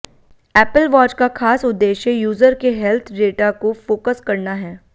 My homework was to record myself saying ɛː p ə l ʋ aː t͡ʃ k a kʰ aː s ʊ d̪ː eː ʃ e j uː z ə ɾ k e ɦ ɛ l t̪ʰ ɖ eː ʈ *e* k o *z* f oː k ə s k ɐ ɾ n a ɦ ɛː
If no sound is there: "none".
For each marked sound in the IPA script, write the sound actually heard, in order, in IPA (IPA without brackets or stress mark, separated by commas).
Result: a, none